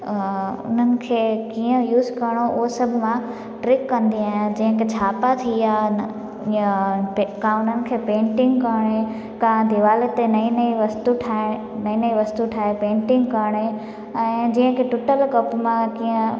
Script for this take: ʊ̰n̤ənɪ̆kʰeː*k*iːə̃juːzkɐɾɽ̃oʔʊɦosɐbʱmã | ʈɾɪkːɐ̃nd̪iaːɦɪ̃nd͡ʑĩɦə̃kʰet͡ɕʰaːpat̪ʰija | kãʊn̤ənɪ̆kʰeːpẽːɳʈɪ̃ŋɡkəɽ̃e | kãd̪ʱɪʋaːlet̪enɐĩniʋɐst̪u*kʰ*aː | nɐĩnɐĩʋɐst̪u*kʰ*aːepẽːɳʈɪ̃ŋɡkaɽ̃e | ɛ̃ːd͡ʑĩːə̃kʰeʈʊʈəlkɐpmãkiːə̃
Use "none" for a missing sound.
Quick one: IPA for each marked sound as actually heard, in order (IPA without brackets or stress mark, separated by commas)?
k, ʈʰ, ʈʰ